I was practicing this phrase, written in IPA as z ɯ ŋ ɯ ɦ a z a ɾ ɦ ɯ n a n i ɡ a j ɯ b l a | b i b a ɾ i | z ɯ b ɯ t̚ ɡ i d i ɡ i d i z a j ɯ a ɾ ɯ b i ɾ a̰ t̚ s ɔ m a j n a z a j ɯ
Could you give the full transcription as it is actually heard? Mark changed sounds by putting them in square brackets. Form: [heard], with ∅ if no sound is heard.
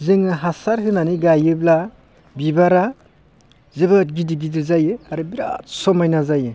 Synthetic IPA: z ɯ ŋ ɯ ɦ a [s] a ɾ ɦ ɯ n a n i ɡ a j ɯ b l a | b i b a ɾ [a] | z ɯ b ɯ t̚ ɡ i d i ɡ i d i z a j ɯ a ɾ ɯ b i ɾ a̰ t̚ s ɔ m a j n a z a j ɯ